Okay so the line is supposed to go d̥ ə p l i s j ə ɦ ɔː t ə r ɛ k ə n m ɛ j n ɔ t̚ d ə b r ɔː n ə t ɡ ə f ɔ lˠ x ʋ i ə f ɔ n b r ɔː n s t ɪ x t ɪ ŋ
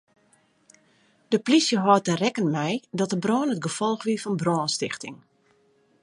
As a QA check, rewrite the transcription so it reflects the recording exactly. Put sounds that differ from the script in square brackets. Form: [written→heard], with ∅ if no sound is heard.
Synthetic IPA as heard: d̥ ə p l i s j ə ɦ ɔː t ə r ɛ k ə n m ɛ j [n→d] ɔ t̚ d ə b r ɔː n ə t ɡ ə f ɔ lˠ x ʋ i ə f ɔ n b r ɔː n s t ɪ x t ɪ ŋ

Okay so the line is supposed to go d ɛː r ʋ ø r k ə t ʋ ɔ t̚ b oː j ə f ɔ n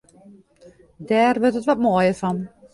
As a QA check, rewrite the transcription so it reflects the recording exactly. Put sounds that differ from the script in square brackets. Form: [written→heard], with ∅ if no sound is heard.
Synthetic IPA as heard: d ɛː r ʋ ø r [k→t] ə t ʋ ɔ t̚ [b→m] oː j ə f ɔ n

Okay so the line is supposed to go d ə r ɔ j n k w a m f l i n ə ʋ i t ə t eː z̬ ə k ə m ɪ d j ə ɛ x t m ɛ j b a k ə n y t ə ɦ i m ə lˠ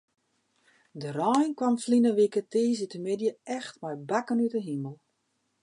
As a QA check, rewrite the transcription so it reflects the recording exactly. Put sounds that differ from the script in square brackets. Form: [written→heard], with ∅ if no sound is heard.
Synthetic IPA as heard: d ə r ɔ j n k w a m f l i n ə ʋ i [t→k] ə t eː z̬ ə [k→t] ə m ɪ d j ə ɛ x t m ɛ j b a k ə n y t ə ɦ i m ə lˠ

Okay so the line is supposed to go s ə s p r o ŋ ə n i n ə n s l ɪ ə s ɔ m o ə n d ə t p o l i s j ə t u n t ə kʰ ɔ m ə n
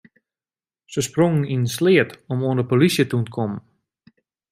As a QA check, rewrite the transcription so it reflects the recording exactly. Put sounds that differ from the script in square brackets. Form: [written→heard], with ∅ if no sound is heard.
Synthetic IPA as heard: s ə s p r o ŋ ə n i n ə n s l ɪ ə [s→t] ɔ m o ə n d ə [t→∅] p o l i s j ə t u n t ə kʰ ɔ m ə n

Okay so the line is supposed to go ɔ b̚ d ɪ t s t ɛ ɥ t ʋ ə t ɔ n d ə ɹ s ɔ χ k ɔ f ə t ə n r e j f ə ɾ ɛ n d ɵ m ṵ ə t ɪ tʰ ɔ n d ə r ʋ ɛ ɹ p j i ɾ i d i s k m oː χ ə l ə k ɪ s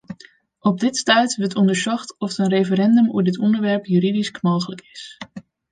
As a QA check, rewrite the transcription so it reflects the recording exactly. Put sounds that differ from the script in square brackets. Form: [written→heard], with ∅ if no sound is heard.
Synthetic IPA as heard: ɔ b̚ d ɪ t s t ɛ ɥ t ʋ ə t ɔ n d ə ɹ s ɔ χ [k→t] ɔ f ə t ə n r e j f ə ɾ ɛ n d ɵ m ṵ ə [t→d] ɪ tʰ ɔ n d ə [r→ɹ] ʋ ɛ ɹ p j [i→y] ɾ i d i s k m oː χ ə l ə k ɪ s

